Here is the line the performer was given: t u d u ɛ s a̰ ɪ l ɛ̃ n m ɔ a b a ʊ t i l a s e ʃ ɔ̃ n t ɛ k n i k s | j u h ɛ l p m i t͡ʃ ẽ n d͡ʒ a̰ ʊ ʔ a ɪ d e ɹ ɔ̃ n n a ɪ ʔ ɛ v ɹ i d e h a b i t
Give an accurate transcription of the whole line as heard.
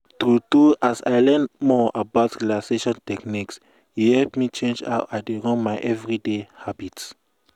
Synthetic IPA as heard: t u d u a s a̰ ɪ l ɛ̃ n m ɔ a b a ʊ t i l a s e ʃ ɔ̃ n t ɛ k n i k s | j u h ɛ l p m i t͡ʃ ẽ n d͡ʒ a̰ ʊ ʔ a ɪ d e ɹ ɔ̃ n m a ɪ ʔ ɛ v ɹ i d e h a b i t